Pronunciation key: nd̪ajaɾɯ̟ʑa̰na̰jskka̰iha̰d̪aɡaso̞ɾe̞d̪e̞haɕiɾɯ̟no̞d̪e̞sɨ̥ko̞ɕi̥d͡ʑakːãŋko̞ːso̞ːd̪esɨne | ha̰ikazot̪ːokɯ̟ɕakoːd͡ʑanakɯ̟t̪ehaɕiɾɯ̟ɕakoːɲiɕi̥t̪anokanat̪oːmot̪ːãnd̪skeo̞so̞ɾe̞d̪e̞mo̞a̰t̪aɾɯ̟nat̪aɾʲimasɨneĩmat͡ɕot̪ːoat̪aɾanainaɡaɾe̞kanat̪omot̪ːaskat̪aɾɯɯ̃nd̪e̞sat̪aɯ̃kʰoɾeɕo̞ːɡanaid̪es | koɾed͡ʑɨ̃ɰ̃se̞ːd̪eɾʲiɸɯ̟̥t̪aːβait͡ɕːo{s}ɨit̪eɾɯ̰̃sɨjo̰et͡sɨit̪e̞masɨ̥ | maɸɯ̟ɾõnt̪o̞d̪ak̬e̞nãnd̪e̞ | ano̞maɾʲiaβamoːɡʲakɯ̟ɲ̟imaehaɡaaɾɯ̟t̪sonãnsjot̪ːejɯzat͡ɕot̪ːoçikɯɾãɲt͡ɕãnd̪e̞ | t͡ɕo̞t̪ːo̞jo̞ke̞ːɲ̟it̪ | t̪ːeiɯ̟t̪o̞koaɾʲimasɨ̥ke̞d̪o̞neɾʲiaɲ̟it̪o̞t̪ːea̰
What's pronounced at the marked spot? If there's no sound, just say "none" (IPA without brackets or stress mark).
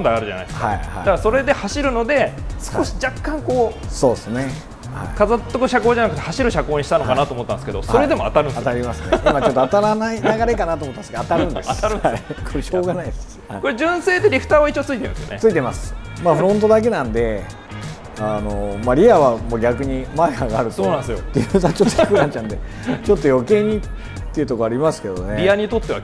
t͡s